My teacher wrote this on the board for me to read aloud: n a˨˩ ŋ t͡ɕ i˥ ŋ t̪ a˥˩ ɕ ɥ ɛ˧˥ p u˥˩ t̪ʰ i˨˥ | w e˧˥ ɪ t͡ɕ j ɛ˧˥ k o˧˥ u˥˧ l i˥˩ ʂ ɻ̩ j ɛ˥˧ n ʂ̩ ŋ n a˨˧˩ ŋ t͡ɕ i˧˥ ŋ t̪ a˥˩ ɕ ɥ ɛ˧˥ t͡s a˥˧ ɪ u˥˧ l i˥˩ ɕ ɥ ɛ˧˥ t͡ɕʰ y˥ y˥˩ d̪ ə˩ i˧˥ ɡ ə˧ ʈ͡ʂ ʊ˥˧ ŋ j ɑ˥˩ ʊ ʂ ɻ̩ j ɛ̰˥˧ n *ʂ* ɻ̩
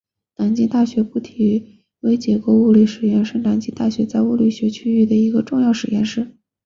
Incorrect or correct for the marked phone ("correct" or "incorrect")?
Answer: correct